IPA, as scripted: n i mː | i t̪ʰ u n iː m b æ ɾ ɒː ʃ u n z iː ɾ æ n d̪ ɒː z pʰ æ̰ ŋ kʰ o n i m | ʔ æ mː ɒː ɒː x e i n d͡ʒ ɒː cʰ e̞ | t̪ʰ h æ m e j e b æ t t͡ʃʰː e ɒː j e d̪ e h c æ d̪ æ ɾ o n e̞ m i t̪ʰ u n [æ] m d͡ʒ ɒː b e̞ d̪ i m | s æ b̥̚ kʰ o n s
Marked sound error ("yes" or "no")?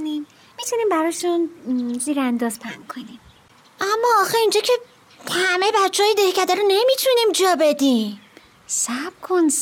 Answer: yes